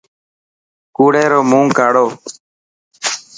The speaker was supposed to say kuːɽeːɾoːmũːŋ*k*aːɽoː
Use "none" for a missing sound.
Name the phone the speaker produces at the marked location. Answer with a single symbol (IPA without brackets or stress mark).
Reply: k